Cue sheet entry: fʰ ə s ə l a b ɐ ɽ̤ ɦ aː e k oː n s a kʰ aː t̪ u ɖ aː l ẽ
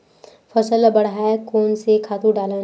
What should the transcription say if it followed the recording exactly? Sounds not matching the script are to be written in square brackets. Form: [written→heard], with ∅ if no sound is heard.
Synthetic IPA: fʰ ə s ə l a b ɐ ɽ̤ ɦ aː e k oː n s [a→e] kʰ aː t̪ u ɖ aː l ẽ